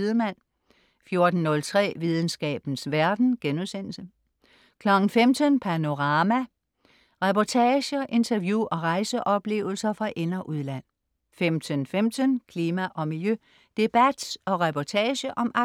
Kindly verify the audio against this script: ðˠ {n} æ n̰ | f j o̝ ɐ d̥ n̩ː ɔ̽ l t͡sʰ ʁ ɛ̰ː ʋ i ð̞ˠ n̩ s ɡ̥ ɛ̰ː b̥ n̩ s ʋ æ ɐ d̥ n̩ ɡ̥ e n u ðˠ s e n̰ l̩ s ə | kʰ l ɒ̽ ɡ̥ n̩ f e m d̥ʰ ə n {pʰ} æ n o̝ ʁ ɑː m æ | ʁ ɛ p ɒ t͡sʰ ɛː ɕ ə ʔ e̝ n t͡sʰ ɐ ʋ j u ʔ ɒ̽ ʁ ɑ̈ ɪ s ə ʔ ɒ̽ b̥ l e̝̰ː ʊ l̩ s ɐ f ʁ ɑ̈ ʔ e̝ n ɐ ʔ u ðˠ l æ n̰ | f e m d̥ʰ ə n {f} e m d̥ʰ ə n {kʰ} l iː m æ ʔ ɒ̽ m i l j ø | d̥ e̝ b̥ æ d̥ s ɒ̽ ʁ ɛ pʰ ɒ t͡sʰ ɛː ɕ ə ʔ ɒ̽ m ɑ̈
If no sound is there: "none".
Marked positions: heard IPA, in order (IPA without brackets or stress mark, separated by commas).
m, pʰ, f, kʰ